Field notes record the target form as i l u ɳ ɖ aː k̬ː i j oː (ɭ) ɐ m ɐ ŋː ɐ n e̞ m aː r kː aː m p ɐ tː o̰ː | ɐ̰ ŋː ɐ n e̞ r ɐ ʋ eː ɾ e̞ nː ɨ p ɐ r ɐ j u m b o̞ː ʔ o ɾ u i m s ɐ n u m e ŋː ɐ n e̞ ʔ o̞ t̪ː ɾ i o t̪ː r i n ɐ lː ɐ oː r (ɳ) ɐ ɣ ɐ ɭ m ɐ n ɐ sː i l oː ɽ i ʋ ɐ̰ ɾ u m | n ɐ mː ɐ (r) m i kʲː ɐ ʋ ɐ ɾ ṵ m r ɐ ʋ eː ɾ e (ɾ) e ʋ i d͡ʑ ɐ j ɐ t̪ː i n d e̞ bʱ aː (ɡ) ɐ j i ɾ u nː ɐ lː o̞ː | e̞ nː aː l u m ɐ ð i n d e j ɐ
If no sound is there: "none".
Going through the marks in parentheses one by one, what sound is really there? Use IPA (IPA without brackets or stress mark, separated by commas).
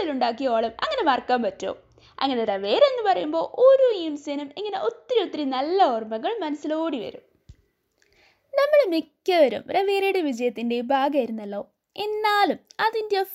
ɭ, m, ɭ, ɽ, ɡ